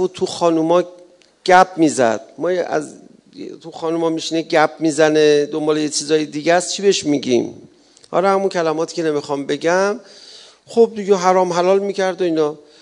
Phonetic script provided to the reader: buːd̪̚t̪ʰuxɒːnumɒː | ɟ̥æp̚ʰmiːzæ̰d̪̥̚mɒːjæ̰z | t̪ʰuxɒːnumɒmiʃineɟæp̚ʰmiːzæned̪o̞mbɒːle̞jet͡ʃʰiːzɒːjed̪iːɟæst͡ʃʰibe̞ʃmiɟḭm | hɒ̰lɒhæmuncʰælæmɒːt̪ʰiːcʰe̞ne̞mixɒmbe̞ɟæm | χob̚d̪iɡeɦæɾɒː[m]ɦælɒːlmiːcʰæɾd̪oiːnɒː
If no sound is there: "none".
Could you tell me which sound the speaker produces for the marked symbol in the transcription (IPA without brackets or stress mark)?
m